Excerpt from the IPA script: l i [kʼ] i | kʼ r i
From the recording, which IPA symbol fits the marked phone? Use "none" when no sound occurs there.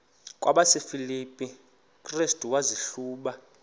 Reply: pʼ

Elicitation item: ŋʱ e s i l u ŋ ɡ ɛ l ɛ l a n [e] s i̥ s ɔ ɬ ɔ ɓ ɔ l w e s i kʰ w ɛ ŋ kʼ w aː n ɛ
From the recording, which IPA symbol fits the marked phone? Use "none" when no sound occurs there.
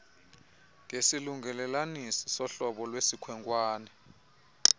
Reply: i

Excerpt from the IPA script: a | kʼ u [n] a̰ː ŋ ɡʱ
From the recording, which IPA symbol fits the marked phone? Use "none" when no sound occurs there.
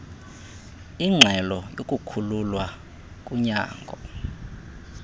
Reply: ɲ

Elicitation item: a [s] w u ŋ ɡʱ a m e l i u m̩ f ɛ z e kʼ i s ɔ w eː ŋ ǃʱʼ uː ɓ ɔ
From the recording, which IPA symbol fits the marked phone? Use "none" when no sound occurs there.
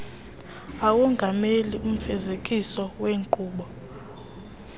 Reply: none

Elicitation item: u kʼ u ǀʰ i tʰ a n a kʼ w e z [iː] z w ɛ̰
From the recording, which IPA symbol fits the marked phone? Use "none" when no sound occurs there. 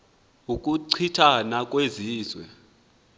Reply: iː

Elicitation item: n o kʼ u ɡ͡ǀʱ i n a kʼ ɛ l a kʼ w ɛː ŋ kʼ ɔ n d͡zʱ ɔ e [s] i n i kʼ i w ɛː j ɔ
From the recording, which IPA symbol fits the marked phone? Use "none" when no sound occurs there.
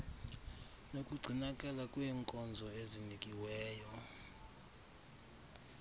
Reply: z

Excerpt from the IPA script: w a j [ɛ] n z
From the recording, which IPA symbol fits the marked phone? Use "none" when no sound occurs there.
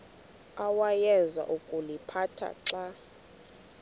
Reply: ɛ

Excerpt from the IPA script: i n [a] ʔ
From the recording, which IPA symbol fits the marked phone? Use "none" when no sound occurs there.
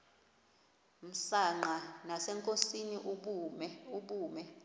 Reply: i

